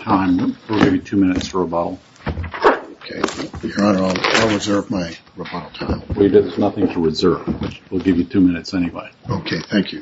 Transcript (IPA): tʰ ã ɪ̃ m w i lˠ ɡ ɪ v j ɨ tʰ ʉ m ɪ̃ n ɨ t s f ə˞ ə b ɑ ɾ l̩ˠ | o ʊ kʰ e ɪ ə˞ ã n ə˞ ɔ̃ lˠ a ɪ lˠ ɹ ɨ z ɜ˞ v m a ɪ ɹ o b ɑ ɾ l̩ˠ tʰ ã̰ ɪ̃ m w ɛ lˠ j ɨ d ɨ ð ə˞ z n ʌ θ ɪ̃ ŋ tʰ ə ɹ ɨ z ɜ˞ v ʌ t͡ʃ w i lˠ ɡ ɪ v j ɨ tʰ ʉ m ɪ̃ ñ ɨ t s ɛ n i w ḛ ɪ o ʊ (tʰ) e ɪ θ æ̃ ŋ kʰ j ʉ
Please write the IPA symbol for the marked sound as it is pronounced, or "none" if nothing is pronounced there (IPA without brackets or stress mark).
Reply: kʰ